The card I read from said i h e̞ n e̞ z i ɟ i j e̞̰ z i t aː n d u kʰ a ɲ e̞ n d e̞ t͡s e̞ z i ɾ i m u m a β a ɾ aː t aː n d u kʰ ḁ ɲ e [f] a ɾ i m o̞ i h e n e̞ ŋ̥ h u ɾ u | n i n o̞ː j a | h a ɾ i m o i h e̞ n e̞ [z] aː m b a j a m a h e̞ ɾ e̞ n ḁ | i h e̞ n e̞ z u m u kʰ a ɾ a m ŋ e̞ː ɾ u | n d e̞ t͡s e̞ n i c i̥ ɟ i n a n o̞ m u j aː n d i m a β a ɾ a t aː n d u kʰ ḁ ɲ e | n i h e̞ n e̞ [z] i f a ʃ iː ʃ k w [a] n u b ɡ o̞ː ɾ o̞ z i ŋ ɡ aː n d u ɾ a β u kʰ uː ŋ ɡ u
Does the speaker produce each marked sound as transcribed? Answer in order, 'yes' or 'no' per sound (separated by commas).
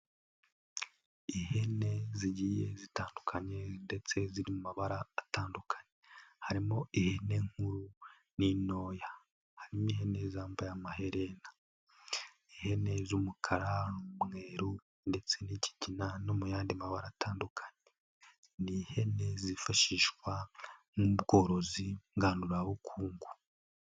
no, yes, yes, yes